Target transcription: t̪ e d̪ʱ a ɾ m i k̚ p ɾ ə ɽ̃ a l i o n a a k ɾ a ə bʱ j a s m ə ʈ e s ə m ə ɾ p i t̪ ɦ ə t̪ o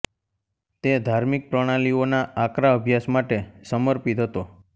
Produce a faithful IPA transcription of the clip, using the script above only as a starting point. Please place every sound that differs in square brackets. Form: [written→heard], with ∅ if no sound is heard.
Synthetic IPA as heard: t̪ e d̪ʱ a ɾ m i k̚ p ɾ ə ɽ̃ a l i o n a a k ɾ a ə bʱ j a s m [ə→a] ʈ e s ə m ə ɾ p i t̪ ɦ ə t̪ o